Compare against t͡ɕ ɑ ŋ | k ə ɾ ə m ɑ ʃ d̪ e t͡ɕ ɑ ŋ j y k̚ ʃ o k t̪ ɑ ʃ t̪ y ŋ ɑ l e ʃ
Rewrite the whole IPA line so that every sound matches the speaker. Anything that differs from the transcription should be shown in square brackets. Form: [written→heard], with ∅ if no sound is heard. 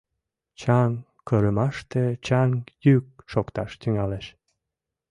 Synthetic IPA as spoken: t͡ɕ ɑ ŋ | k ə ɾ ə m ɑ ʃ [d̪→t̪] e t͡ɕ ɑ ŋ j y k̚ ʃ o k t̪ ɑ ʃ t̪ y ŋ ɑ l e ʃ